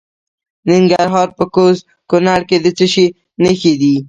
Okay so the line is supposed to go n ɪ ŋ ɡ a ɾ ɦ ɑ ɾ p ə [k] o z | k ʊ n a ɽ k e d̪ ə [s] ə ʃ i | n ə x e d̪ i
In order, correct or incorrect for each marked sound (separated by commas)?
correct, incorrect